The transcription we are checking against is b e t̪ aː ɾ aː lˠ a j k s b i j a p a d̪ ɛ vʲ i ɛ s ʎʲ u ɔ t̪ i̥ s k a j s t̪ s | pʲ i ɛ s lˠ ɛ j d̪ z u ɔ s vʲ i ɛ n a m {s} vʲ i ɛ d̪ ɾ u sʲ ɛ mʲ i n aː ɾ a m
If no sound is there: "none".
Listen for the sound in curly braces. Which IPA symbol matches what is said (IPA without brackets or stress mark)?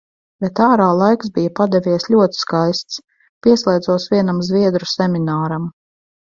z